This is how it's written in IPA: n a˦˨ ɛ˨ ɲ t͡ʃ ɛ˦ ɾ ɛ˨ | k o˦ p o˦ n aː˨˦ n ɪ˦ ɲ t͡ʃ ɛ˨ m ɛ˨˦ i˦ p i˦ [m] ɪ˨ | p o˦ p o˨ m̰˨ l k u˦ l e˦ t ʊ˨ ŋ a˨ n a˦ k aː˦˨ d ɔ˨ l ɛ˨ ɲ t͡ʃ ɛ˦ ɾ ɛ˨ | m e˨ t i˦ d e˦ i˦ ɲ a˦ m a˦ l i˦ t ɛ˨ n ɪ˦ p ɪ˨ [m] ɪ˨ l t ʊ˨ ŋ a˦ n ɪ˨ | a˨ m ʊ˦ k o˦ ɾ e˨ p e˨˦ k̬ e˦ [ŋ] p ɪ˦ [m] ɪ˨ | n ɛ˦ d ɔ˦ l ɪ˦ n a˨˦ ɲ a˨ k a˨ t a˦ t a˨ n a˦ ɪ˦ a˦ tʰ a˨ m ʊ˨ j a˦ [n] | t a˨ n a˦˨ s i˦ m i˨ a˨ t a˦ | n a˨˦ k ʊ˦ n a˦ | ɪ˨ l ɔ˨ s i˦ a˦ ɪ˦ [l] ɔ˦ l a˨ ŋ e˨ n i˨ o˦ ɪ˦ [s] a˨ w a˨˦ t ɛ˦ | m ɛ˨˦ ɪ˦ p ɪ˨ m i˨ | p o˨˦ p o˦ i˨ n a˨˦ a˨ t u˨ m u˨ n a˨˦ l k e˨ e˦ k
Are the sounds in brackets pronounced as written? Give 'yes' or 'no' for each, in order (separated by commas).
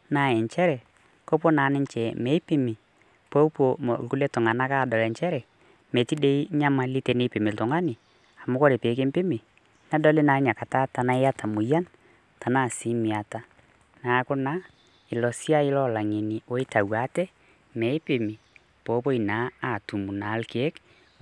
yes, yes, no, yes, yes, yes, no